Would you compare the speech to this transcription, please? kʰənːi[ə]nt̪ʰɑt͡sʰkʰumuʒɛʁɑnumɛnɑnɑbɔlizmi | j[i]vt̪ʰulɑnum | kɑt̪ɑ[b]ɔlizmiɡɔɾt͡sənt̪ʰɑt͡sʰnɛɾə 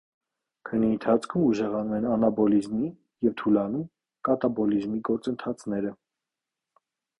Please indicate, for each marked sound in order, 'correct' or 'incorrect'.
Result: correct, incorrect: ɛ, correct

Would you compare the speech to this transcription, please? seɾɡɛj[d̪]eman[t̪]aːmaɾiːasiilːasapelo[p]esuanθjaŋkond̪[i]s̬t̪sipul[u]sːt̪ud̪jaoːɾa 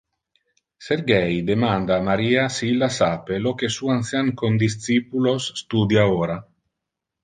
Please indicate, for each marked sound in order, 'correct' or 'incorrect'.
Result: correct, incorrect: d̪, incorrect: k, correct, incorrect: o

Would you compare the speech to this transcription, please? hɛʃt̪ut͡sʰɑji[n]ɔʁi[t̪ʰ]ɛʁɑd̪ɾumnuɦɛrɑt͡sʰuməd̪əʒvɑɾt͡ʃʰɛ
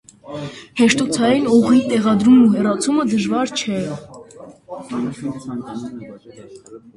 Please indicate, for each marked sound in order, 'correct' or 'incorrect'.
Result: correct, incorrect: t̪

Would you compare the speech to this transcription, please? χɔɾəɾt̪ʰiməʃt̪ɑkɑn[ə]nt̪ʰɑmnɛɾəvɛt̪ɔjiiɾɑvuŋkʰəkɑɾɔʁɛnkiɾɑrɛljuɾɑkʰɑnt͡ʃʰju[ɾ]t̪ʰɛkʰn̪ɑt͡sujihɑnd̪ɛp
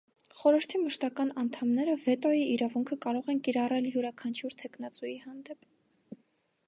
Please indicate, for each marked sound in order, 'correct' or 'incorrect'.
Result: incorrect: ɑ, correct

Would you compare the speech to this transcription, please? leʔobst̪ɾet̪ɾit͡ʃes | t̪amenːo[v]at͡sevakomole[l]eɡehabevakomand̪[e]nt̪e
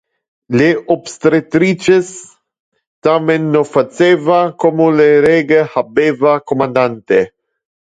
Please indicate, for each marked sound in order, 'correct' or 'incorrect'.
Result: incorrect: f, incorrect: ɾ, incorrect: a

